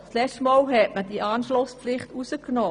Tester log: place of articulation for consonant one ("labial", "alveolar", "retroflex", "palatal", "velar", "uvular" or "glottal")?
alveolar